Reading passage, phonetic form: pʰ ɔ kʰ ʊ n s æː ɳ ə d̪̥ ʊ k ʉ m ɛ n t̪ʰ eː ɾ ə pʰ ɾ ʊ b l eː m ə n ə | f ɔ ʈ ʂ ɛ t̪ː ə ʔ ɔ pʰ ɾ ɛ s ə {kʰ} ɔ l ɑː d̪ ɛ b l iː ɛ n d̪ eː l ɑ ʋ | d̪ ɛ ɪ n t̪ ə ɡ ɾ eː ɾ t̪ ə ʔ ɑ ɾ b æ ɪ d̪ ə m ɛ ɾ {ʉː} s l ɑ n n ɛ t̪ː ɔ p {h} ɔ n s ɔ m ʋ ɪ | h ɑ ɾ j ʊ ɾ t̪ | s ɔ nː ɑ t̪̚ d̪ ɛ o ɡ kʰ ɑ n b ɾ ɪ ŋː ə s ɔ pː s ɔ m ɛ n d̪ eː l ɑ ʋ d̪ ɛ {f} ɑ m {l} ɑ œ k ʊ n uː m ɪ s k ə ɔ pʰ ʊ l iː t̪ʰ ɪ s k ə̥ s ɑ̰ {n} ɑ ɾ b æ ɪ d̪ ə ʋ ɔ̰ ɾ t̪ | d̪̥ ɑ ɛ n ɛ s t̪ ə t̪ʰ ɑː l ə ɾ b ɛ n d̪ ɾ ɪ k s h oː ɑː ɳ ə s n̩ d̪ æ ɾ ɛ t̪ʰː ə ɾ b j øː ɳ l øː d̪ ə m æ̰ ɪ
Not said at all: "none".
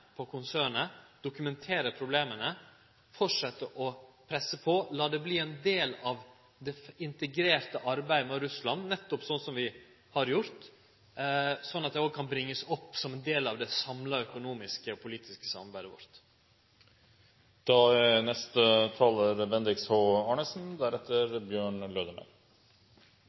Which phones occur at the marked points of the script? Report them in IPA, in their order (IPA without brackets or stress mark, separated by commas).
pʰ, ʉ, s, s, l, m